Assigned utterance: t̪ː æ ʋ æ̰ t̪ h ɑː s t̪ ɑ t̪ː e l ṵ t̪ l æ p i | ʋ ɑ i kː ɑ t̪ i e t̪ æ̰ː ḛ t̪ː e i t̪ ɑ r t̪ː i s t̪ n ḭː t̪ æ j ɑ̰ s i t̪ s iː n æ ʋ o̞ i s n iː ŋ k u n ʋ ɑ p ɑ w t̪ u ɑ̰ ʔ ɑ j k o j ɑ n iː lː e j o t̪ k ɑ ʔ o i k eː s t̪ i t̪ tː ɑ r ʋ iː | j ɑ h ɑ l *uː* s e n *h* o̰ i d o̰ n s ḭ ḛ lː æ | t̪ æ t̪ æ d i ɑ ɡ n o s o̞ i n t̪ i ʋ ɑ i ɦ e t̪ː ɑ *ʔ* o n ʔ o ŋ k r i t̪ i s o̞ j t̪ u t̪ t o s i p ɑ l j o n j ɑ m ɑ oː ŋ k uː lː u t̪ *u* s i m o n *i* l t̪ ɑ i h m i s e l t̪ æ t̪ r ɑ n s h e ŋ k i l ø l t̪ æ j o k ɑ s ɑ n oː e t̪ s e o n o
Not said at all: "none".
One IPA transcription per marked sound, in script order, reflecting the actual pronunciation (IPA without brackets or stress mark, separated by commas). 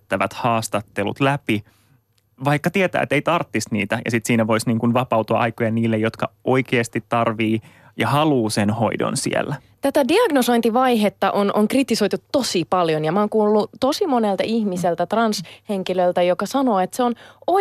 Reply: uː, h, ʔ, o, e